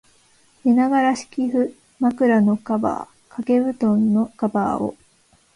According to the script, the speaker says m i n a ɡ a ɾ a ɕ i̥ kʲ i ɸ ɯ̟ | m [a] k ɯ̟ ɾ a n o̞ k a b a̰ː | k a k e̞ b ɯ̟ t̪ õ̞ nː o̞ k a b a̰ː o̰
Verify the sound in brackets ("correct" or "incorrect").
correct